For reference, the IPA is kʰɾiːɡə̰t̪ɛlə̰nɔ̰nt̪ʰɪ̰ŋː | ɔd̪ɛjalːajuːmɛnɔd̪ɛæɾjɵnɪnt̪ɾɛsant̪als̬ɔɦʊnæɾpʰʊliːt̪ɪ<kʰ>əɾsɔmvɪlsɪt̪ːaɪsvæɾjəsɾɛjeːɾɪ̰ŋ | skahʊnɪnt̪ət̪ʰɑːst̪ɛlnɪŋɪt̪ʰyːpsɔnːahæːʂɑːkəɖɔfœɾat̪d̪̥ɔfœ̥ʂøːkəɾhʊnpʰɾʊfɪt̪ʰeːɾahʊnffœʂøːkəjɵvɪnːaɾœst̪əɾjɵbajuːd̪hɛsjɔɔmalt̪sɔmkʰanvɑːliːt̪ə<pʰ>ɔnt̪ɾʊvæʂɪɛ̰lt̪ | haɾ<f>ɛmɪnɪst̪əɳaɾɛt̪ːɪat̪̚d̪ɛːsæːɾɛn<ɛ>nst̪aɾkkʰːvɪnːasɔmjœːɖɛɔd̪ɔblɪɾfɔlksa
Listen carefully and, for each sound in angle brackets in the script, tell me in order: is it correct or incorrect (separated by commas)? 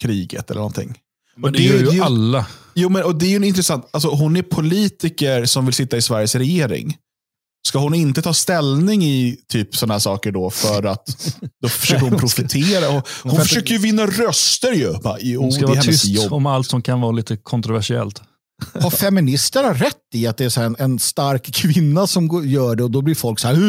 incorrect, incorrect, correct, correct